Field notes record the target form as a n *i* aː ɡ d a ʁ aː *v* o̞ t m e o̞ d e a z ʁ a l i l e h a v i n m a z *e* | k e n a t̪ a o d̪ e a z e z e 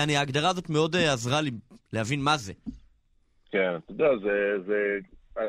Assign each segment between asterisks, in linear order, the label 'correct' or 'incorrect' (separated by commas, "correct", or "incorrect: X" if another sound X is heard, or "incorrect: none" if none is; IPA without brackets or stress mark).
correct, incorrect: z, correct